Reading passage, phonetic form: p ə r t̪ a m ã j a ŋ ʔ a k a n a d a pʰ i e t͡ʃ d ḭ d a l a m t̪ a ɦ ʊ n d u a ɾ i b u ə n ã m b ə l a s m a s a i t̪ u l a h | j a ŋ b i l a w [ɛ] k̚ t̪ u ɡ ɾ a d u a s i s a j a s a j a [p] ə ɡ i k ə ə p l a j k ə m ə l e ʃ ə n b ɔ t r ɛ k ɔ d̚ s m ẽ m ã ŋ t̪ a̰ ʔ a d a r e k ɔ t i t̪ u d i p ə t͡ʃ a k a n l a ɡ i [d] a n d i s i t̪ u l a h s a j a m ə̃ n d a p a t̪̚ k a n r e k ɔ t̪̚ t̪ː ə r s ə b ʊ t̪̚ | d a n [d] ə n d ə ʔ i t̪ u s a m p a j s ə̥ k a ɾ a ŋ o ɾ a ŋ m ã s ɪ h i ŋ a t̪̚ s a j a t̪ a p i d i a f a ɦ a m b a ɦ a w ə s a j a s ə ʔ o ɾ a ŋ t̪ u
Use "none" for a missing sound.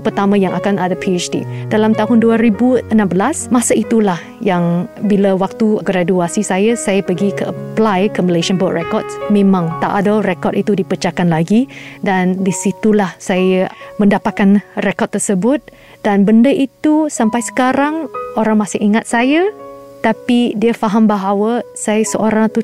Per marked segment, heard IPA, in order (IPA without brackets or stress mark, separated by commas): a, p, d, b